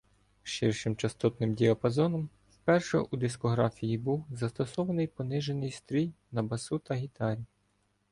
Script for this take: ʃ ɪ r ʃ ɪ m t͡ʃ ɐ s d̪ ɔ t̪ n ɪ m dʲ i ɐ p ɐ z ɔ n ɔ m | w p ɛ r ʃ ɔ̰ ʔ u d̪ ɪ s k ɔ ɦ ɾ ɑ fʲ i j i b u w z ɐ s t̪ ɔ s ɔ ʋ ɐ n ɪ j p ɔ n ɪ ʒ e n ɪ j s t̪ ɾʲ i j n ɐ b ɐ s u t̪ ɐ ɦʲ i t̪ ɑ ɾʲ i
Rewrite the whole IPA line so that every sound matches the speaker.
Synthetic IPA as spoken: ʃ ɪ r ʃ ɪ m t͡ʃ ɐ s t̪ ɔ t̪ n ɪ m dʲ i ɐ p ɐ z ɔ n ɔ m | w p ɛ r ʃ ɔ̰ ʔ u d̪ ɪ s k ɔ ɦ ɾ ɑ fʲ i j i b u w z ɐ s t̪ ɔ s ɔ ʋ ɐ n ɪ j p ɔ n ɪ ʒ e n ɪ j s t̪ ɾʲ i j n ɐ b ɐ s u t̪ ɐ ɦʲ i t̪ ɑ ɾʲ i